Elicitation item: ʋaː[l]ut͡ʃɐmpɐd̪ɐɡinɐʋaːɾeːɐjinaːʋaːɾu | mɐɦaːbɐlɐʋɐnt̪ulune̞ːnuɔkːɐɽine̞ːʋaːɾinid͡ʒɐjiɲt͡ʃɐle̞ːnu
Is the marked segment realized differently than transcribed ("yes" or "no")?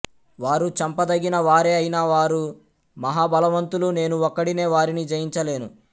yes